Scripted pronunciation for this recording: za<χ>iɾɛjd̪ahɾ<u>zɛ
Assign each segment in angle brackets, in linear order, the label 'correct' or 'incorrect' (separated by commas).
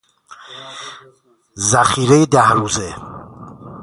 correct, correct